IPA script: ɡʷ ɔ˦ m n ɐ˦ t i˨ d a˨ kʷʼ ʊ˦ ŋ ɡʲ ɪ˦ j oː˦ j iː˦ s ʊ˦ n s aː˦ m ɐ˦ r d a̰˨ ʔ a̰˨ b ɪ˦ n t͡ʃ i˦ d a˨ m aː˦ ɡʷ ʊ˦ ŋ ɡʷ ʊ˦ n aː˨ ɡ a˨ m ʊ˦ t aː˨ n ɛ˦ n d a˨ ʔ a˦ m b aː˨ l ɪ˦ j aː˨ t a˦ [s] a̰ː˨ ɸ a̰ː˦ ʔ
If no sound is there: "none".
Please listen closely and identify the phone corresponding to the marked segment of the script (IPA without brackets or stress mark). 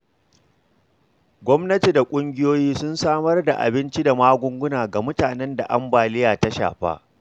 ʃ